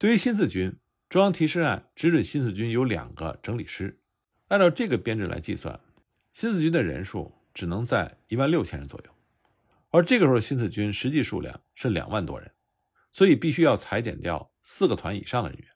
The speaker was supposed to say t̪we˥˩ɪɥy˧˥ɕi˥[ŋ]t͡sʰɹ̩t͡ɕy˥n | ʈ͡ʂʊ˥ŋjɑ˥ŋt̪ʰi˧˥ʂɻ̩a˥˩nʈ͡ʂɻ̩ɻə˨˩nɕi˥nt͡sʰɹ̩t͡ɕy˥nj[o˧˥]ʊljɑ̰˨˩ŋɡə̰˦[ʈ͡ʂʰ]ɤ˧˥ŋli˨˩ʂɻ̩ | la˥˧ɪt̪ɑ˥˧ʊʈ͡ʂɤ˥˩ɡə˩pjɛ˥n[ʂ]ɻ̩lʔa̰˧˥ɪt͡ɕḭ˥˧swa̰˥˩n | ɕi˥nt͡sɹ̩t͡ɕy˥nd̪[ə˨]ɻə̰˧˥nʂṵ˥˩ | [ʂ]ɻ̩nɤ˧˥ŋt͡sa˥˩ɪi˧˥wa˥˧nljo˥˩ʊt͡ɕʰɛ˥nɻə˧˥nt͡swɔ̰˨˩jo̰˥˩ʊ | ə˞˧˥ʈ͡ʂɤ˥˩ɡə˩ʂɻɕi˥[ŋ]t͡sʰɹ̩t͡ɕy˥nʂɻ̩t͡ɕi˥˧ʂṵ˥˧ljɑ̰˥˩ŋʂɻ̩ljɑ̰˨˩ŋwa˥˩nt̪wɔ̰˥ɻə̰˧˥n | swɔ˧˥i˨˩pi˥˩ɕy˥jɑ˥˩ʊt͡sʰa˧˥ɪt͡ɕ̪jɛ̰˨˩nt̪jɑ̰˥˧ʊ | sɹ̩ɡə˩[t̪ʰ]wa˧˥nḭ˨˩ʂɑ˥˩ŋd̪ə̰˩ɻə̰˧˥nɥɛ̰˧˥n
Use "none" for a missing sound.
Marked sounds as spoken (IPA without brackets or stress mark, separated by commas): n, o˧˥, ʈ͡ʂ, ʈ͡ʂ, ə˨, ʈ͡ʂ, n, t̪ʰ